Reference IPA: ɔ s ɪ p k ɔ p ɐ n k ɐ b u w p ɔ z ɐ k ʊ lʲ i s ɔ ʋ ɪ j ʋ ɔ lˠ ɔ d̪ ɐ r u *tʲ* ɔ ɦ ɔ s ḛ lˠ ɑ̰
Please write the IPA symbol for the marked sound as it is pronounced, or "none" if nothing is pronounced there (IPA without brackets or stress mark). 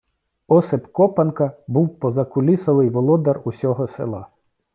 sʲ